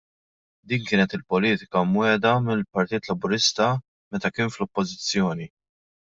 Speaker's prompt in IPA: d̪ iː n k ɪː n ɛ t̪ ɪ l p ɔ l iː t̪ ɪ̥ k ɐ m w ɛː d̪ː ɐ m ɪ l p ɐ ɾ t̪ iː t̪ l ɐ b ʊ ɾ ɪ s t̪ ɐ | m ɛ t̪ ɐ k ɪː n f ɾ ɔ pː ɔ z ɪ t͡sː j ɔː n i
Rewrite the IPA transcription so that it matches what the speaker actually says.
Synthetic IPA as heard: d̪ iː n k ɪː n ɛ t̪ ɪ l p ɔ l iː t̪ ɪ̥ k ɐ m w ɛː d̪ ɐ m ɪ l p ɐ ɾ t̪ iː t̪ l ɐ b ʊ ɾ ɪ s t̪ ɐ | m ɛ t̪ ɐ k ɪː n f l ɔ pː ɔ z ɪ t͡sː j ɔː n i